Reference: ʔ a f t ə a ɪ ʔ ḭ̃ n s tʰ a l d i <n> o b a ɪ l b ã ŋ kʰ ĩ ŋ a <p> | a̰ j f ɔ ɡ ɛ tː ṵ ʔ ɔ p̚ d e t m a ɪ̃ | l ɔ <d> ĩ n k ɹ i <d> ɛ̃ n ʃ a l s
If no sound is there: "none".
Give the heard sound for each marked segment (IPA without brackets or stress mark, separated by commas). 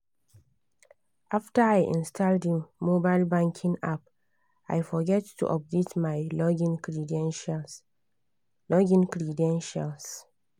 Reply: m, p, ɡ, d